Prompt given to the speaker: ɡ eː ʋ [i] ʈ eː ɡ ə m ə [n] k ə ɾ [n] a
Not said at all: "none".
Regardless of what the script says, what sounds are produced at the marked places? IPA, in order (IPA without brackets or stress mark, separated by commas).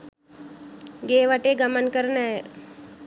a, n, n